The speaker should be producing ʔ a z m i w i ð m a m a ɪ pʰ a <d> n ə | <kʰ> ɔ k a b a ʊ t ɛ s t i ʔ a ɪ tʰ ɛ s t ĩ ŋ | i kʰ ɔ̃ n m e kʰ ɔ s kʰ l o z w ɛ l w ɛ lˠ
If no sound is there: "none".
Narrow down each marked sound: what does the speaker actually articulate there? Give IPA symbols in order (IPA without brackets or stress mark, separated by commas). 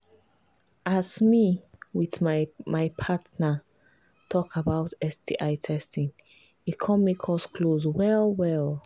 t, tʰ